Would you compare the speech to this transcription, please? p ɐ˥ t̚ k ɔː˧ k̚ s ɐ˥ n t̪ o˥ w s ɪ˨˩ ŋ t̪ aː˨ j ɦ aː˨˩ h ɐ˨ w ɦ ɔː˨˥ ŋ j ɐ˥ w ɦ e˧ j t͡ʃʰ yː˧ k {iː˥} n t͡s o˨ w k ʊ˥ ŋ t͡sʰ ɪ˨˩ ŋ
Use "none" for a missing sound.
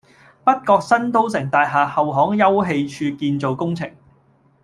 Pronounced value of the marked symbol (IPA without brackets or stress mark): iː˧